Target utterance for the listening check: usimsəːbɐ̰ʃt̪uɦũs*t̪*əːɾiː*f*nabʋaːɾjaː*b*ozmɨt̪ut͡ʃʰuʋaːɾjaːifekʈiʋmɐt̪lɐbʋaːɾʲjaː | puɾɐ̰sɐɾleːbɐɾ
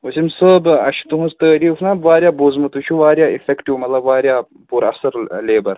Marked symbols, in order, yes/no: yes, yes, yes

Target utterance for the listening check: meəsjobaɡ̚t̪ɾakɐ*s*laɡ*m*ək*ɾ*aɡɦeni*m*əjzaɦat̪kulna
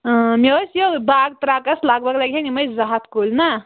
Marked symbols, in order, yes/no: yes, no, no, yes

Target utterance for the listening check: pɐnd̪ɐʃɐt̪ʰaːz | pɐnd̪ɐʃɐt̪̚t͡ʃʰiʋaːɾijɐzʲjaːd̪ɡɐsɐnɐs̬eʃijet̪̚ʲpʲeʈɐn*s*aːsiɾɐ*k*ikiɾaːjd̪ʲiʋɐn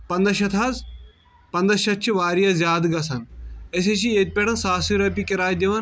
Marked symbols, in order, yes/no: yes, no

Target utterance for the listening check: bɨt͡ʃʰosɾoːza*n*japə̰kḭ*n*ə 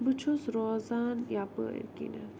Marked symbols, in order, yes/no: yes, yes

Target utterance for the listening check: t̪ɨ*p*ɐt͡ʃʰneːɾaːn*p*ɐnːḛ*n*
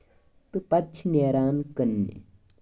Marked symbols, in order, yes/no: yes, no, no

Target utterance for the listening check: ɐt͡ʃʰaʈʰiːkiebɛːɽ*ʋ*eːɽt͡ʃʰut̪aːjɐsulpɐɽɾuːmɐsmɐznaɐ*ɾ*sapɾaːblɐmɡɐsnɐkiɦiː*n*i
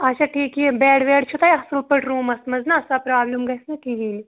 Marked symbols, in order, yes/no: yes, no, yes

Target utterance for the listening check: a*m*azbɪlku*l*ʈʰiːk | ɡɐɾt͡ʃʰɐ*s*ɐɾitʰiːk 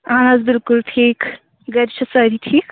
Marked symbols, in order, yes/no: no, yes, yes

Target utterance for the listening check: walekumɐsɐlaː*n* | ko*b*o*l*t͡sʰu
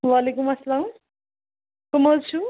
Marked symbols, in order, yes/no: no, no, yes

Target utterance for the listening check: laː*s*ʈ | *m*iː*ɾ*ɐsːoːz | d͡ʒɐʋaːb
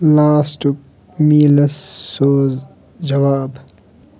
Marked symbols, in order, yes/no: yes, yes, no

